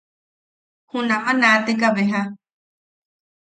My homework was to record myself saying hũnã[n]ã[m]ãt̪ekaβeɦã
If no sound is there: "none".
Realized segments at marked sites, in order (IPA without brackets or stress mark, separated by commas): m, n